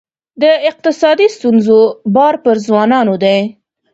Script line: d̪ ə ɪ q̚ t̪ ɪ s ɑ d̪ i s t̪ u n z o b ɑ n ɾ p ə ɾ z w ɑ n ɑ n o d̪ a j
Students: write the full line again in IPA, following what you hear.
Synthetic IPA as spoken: d̪ ə ɪ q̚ t̪ ɪ s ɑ d̪ i s t̪ u n z o b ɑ ɾ p ə ɾ z w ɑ n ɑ n o d̪ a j

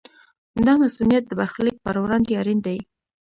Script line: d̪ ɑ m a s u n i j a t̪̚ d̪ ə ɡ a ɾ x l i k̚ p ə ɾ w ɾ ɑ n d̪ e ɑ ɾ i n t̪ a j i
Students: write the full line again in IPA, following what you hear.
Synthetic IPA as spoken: d̪ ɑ m a s u n i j a t̪̚ d̪ ə b a ɾ x l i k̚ p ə ɾ w ɾ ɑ n d̪ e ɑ ɾ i n d̪ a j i

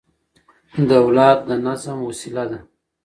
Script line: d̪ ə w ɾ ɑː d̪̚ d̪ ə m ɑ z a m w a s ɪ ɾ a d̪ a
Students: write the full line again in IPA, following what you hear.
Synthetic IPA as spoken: d̪ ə w l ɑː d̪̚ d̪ ə n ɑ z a m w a s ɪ l a d̪ a

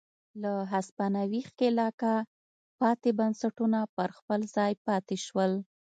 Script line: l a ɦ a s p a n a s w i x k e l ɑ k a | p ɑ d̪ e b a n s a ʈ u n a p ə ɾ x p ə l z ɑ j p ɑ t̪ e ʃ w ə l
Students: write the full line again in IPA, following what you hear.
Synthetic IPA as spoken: l a ɦ a s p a n a w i x k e l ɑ k a | p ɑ t̪ e b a n s a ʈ u n a p ə ɾ x p ə l z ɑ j p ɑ t̪ e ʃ w ə l

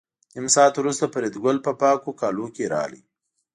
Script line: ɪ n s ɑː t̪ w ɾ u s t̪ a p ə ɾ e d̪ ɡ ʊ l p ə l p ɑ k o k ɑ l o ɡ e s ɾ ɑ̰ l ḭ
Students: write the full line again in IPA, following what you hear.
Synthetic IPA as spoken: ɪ m s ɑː t̪ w ɾ u s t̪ a p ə ɾ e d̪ ɡ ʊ l p ə p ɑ k o k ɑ l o k e ɾ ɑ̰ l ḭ

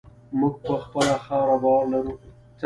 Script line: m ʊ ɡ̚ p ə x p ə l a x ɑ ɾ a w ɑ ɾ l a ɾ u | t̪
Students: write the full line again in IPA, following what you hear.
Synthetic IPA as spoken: m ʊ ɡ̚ p ə x p ə l a x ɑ ɾ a b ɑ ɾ l a ɾ u | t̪

